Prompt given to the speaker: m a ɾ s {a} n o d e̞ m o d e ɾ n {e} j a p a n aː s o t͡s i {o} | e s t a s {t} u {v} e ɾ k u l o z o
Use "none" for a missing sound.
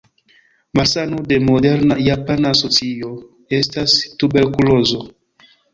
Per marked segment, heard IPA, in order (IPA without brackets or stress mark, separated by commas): a, a, o, t, b